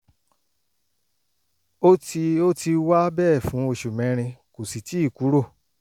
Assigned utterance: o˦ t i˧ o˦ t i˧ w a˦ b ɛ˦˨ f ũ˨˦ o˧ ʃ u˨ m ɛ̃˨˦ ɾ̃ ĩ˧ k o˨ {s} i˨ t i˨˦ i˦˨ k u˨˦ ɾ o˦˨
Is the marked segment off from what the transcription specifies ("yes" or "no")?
no